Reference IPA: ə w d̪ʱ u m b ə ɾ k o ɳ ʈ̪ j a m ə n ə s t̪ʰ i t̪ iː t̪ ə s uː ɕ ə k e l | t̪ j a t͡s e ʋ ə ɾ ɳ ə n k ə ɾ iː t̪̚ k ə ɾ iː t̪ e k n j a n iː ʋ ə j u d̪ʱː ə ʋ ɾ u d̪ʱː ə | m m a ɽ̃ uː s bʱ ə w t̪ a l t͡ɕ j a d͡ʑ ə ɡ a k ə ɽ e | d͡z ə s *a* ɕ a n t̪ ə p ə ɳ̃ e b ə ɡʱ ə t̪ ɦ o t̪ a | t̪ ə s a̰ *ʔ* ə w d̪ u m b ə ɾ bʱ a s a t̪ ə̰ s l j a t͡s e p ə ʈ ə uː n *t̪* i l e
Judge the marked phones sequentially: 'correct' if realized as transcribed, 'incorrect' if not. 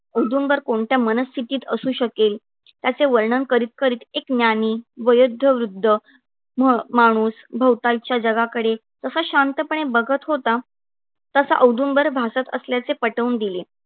correct, correct, incorrect: d̪

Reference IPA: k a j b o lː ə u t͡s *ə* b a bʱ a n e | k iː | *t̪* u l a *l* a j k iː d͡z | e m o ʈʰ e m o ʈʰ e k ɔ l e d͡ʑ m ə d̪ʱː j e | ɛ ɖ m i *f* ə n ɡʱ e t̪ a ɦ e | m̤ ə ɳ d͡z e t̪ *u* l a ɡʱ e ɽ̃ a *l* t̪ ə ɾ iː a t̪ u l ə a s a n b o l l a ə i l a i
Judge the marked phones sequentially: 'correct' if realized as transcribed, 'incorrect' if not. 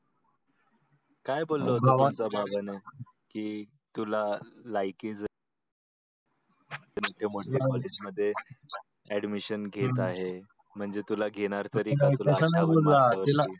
incorrect: a, correct, correct, incorrect: ɕ, correct, incorrect: ɾ

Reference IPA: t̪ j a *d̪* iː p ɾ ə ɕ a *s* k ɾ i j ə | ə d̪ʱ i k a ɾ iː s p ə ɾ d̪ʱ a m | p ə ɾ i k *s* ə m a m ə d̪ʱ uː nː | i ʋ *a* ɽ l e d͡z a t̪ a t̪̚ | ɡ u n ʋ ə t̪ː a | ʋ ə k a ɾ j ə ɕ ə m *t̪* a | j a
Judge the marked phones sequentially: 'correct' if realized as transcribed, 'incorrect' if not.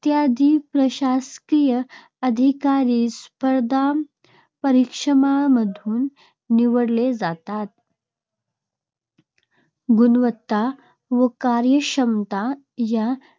correct, correct, incorrect: ʂ, incorrect: ə, correct

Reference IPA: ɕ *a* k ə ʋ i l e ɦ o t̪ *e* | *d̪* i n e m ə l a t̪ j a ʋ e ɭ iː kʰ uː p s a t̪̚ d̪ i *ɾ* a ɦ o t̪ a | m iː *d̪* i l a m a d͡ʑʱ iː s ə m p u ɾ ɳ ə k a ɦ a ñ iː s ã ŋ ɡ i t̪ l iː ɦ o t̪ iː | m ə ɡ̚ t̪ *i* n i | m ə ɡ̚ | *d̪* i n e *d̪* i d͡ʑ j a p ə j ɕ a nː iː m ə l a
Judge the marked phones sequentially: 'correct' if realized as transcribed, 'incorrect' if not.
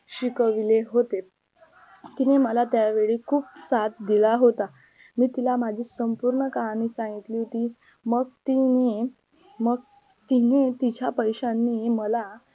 incorrect: i, correct, incorrect: t̪, incorrect: l, incorrect: t̪, correct, incorrect: t̪, incorrect: t̪

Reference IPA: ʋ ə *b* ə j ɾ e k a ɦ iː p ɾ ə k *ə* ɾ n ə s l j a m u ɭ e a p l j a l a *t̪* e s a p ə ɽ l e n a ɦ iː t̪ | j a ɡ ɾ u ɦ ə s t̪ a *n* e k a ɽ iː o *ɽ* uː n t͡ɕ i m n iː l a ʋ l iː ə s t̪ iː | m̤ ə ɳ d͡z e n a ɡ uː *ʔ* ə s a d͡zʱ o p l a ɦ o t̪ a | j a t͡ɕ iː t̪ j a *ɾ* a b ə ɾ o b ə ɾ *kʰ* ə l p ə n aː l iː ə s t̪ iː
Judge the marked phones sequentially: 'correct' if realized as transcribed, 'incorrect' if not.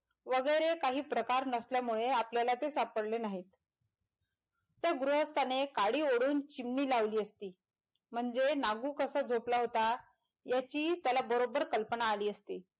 incorrect: ɡ, incorrect: a, correct, correct, correct, incorrect: k, incorrect: l, incorrect: k

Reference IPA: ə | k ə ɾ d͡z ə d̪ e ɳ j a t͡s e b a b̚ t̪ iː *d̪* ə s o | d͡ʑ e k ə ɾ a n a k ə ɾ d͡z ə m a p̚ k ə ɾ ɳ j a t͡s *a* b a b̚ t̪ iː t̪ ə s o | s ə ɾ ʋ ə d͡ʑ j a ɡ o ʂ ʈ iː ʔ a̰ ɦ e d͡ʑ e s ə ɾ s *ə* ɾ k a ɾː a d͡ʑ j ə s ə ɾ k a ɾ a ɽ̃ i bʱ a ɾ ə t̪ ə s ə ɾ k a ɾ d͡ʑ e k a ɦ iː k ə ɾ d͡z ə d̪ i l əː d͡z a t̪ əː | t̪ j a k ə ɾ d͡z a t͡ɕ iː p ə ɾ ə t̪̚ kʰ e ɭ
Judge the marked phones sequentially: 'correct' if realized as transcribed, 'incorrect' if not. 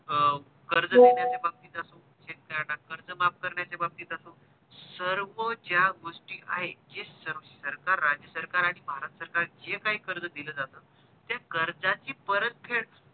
incorrect: t̪, incorrect: e, correct

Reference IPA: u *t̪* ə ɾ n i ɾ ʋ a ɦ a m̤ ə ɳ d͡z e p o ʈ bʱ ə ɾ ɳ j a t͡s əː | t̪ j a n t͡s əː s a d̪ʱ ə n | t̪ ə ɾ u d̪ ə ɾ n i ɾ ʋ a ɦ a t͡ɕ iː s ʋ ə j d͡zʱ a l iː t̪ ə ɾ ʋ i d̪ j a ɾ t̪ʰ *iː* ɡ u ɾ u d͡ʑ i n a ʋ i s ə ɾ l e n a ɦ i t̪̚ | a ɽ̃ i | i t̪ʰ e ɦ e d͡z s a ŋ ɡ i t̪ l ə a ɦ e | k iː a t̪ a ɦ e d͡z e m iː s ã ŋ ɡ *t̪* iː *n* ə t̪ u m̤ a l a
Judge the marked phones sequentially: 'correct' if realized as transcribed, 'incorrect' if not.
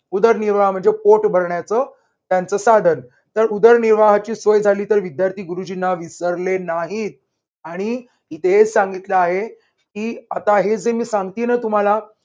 incorrect: d̪, correct, correct, correct

